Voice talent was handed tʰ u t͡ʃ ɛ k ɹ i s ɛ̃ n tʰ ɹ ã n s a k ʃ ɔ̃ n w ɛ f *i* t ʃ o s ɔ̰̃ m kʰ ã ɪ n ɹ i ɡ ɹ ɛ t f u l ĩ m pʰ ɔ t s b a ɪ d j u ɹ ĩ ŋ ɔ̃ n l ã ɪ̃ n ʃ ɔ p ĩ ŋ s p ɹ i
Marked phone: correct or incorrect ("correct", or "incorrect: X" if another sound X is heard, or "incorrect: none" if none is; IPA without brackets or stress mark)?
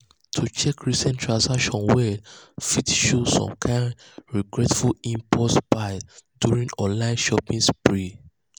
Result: correct